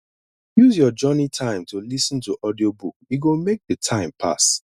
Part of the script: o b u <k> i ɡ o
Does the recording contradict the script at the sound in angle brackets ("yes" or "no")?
no